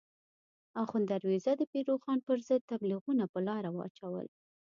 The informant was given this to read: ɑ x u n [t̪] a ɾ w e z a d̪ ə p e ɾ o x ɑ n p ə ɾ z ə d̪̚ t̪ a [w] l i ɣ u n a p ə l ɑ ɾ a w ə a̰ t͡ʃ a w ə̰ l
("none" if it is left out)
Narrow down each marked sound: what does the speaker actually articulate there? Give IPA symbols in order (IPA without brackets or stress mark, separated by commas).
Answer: d̪, b